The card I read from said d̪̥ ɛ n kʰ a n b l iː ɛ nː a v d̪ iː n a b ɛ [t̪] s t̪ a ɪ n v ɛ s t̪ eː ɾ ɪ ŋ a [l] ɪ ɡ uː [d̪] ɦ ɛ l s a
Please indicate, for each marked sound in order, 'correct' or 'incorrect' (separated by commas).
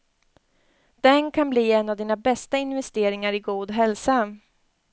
incorrect, incorrect, correct